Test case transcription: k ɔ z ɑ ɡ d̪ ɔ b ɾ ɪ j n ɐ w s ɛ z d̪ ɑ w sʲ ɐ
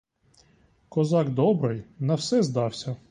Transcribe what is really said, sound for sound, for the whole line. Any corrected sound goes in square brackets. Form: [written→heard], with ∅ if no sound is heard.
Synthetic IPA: k ɔ z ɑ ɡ d̪ ɔ b ɾ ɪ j n ɐ w s ɛ z d̪ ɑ w sʲ ɐ